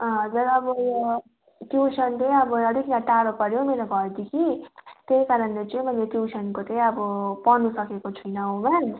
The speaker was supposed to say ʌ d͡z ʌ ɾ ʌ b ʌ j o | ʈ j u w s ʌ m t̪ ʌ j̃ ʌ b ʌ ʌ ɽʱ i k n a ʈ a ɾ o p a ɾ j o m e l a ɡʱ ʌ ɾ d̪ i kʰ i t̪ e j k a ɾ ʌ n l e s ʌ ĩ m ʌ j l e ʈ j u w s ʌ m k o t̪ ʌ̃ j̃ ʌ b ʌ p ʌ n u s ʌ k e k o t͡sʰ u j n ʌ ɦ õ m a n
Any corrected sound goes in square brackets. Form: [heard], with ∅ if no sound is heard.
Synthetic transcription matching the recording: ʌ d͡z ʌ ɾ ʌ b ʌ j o | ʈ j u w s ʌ [n] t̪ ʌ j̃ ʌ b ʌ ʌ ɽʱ i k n a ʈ a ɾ o p [ʌ] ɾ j o m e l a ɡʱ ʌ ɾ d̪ i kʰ i t̪ e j k a ɾ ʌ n l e [t͡s] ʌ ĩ m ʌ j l e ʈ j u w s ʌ [n] k o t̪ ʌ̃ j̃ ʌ b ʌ p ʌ n u s ʌ k e k o t͡sʰ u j n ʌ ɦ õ m a n